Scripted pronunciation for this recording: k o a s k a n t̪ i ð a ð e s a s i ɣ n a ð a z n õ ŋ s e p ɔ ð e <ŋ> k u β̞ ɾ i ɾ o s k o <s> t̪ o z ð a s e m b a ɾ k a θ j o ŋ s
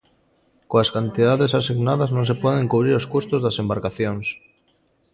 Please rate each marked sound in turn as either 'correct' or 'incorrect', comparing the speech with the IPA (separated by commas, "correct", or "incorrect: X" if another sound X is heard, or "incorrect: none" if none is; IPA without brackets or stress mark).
correct, correct